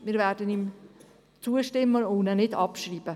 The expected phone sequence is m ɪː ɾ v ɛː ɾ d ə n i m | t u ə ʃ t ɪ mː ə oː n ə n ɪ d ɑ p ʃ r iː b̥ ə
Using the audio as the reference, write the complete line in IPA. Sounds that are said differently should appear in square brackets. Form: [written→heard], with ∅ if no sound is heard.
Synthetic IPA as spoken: m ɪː ɾ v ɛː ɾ d ə n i m | [t→t͡s] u ə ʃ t ɪ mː ə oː n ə n ɪ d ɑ p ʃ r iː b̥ ə